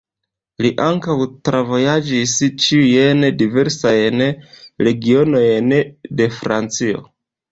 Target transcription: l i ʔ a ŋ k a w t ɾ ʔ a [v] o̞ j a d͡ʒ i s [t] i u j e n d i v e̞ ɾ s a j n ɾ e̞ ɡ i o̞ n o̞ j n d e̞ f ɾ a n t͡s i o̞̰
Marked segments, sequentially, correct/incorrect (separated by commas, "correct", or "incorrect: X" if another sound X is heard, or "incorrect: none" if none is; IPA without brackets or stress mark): correct, incorrect: t͡ʃ